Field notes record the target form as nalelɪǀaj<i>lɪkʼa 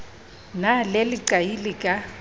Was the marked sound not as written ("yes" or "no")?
no